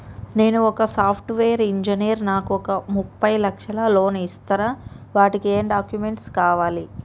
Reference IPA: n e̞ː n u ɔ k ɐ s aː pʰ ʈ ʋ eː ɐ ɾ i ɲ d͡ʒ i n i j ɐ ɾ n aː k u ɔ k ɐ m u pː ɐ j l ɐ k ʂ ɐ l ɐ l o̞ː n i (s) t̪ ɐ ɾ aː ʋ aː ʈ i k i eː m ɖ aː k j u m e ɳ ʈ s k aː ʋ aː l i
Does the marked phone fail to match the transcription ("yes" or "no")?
no